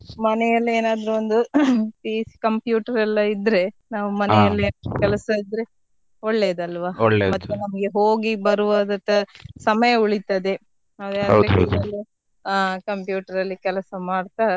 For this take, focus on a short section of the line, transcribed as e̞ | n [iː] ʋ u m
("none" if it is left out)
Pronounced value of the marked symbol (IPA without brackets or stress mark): aː